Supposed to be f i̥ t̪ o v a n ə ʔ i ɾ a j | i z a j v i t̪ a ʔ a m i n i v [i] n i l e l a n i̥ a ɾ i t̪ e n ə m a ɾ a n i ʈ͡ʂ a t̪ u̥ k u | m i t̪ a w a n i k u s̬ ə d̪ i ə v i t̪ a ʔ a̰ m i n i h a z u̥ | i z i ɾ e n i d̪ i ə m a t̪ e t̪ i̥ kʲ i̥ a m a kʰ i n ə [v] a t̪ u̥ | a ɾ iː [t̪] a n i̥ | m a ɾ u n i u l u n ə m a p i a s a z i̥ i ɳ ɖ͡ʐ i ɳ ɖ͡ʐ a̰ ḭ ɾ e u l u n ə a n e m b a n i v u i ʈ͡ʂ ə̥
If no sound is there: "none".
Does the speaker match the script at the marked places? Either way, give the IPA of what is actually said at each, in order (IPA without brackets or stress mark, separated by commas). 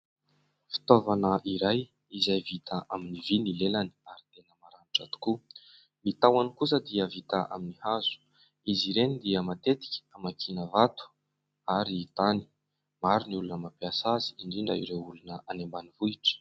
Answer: i, v, t̪